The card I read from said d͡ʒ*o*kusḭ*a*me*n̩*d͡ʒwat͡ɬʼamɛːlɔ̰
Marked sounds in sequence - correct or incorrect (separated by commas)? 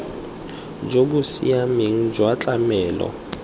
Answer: correct, correct, incorrect